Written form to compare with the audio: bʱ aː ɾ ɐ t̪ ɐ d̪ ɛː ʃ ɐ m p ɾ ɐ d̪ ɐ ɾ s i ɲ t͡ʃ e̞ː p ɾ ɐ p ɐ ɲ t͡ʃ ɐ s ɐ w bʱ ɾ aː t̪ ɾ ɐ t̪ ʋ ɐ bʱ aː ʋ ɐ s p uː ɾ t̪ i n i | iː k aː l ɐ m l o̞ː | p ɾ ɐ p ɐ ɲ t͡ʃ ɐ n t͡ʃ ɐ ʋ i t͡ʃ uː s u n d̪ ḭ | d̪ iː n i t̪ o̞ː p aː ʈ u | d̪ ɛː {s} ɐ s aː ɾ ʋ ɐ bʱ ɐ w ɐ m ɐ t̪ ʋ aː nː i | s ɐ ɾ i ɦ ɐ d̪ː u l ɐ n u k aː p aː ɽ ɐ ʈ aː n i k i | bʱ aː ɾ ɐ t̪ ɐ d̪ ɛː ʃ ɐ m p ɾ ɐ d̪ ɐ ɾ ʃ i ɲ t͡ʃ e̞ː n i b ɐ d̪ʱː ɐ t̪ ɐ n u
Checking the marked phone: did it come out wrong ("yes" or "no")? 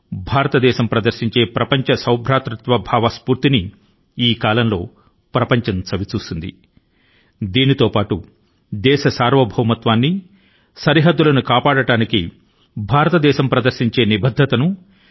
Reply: yes